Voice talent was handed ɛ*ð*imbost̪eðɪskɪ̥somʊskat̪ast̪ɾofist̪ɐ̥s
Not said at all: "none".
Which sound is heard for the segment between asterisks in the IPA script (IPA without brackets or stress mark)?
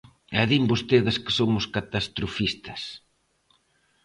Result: ð